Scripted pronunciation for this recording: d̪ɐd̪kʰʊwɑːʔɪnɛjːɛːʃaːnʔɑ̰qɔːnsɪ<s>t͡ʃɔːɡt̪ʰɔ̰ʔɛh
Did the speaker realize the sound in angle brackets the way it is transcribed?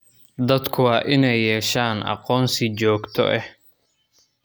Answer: no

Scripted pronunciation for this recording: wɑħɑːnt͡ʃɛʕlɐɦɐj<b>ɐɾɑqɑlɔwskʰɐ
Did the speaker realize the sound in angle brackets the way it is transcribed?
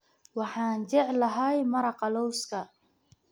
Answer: no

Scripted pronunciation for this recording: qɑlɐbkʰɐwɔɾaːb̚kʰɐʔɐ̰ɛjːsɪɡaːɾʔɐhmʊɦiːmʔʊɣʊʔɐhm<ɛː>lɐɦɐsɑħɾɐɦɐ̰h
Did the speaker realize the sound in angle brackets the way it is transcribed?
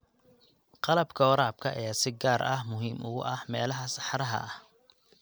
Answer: yes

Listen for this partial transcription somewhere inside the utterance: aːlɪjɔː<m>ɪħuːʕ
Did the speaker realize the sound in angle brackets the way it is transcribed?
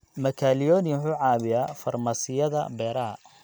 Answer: no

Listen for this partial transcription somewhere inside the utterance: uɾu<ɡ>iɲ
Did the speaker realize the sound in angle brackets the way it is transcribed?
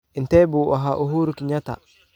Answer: no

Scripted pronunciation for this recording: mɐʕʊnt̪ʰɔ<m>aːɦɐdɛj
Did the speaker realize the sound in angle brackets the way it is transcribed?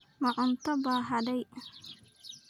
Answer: no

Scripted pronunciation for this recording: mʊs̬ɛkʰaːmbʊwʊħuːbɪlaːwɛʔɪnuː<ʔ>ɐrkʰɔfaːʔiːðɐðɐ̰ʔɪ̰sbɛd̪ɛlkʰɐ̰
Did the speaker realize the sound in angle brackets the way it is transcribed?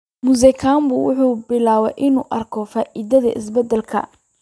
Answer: yes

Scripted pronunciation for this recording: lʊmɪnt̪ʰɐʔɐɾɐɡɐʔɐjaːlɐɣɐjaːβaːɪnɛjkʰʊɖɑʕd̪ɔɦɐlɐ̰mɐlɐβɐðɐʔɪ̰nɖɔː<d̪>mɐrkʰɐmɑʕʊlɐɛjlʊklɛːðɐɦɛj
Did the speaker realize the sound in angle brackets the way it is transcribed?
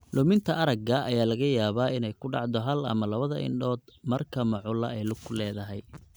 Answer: yes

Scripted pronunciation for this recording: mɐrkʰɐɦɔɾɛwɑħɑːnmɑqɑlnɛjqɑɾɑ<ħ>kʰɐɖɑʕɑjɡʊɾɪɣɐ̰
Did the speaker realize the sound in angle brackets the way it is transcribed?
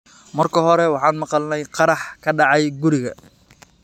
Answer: yes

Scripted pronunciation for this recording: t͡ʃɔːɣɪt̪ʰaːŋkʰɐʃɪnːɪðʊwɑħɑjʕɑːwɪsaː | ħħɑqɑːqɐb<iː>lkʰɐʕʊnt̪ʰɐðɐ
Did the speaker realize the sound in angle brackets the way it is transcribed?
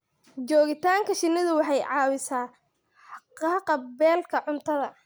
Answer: no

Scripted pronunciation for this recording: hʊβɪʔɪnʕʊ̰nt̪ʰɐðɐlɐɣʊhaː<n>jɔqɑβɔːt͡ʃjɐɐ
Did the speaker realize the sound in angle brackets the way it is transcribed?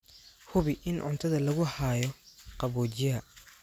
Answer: no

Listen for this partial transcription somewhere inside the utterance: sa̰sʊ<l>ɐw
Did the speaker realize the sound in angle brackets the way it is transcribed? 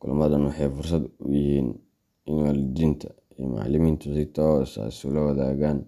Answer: yes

